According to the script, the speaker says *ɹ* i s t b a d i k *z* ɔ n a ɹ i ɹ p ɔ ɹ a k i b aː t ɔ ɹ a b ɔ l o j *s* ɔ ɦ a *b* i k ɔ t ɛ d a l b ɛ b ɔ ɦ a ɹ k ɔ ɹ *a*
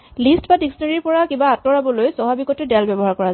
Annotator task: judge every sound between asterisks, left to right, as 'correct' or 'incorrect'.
incorrect: l, incorrect: s, correct, correct, correct

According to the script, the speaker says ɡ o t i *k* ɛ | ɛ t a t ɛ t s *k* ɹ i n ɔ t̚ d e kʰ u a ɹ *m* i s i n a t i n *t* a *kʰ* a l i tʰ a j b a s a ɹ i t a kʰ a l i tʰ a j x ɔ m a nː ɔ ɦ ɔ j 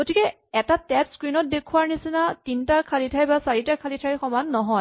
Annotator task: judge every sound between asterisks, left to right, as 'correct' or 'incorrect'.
correct, correct, incorrect: n, correct, correct

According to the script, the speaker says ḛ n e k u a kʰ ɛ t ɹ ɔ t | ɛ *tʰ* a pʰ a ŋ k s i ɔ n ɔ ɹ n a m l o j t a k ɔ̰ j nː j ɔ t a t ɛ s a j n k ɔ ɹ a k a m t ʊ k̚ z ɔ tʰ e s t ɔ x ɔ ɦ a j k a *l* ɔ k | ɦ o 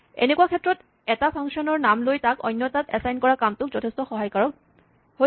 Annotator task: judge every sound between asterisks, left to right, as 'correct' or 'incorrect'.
incorrect: t, incorrect: ɹ

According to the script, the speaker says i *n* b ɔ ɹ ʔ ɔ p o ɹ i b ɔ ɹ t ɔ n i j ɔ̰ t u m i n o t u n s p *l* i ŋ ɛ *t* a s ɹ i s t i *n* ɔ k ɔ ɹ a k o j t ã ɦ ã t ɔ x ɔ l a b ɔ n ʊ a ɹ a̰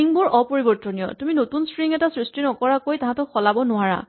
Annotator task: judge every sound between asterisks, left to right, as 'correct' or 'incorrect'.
incorrect: ŋ, incorrect: ɹ, correct, correct

